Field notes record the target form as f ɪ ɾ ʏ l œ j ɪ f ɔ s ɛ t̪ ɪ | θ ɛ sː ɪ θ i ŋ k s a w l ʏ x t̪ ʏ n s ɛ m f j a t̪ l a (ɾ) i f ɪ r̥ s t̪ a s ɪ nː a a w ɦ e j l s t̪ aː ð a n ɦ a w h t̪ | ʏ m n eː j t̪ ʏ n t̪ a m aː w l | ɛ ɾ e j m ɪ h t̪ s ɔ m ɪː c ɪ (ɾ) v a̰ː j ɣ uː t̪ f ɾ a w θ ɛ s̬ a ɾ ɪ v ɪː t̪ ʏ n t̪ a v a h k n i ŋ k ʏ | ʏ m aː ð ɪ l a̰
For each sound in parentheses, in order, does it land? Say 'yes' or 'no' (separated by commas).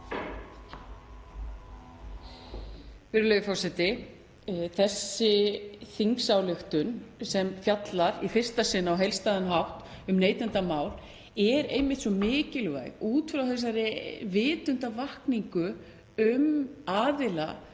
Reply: yes, no